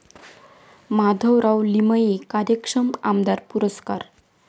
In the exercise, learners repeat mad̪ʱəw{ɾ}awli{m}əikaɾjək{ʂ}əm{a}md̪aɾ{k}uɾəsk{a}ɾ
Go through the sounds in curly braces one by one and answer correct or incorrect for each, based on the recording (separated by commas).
correct, correct, correct, correct, incorrect, correct